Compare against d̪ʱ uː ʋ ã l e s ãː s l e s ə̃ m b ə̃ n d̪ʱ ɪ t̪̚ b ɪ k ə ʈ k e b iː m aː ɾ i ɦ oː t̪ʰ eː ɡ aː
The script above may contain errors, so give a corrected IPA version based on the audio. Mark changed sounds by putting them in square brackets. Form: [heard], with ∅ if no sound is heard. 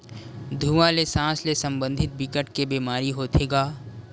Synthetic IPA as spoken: d̪ʱ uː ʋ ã l e s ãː s l e s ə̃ m b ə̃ n d̪ʱ ɪ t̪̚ b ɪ k ə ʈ k e b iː m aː ɾ i ɦ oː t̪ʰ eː ɡ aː